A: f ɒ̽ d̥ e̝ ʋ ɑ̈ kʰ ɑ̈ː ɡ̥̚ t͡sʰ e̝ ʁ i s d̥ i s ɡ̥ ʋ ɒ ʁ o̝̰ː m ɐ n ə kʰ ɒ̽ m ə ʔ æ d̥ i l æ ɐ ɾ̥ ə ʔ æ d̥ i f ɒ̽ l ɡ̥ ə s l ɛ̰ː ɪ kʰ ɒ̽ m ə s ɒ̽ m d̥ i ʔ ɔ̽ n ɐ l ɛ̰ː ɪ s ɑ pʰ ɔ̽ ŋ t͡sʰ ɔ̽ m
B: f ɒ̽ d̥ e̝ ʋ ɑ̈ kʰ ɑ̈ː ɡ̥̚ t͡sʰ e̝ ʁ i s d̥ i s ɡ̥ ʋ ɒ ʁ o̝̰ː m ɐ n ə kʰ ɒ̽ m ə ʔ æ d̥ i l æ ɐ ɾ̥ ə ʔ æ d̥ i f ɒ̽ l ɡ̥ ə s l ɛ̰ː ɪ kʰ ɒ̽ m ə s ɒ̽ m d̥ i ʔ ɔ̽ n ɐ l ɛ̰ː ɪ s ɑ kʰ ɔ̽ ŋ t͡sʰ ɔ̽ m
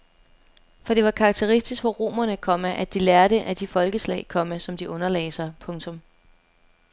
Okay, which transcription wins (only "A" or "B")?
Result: A